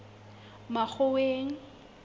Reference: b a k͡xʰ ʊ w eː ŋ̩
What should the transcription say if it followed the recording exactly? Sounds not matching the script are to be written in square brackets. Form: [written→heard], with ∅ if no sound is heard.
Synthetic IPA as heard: [b→m] a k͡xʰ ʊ w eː ŋ̩